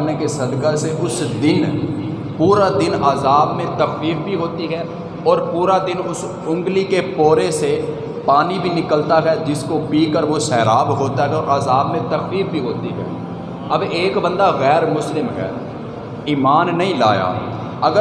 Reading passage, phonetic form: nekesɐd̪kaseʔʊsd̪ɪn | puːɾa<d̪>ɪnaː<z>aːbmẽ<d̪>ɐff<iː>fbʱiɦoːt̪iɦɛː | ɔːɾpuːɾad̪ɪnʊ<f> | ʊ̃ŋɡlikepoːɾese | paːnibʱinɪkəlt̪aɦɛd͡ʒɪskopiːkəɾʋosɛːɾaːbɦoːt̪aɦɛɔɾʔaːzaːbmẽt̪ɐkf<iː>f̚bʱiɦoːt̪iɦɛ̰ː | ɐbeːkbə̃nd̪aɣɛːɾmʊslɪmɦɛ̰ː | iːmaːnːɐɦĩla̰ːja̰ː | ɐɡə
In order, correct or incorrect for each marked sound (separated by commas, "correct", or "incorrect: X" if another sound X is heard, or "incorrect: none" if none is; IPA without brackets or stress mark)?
correct, correct, incorrect: t̪, correct, incorrect: s, correct